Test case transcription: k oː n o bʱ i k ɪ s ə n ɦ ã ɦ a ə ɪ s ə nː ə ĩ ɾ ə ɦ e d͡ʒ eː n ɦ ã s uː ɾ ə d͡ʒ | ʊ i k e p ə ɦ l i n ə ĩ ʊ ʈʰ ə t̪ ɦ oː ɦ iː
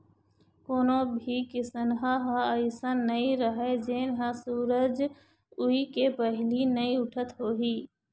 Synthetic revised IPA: k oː n o bʱ i k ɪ s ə n ɦ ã ɦ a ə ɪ s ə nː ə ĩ ɾ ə ɦ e d͡ʒ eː n ɦ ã s uː ɾ ə d͡ʒ | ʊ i k e p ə ɦ l i n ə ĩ ʊ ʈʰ ə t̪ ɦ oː ɦ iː